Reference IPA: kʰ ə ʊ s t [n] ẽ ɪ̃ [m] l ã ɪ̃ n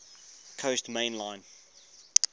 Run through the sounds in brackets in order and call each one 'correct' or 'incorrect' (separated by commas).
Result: incorrect, incorrect